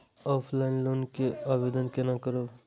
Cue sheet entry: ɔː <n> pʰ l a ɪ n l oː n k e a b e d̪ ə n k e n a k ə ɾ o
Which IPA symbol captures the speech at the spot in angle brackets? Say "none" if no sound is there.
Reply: none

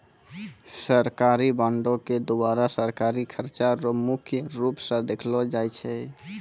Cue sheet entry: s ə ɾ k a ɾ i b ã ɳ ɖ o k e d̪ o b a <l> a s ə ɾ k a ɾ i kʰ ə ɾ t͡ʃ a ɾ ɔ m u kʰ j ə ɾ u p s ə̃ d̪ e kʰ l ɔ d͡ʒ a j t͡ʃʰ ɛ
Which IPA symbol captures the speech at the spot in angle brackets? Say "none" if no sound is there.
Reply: ɾ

